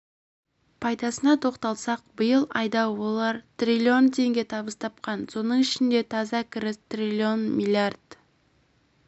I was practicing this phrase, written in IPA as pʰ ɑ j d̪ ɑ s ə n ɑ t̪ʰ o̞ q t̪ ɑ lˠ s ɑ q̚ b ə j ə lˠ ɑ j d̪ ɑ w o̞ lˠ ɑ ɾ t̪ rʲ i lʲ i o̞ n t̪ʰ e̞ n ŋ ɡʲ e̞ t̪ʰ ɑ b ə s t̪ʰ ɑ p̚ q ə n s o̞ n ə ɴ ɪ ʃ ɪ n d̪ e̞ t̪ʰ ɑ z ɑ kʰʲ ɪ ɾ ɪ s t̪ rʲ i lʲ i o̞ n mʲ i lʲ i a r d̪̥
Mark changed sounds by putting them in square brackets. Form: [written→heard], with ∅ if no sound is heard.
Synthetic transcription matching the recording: pʰ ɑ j d̪ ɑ s ə n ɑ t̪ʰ o̞ q t̪ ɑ lˠ s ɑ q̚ b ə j ə lˠ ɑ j d̪ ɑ w o̞ lˠ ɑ ɾ t̪ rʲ i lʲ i o̞ n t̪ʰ e̞ [n→∅] ŋ ɡʲ e̞ t̪ʰ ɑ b ə s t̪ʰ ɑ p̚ q [ə→ɑ] n s o̞ n ə ɴ ɪ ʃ ɪ n d̪ e̞ t̪ʰ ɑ z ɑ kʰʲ ɪ ɾ ɪ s t̪ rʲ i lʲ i o̞ n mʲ i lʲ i a r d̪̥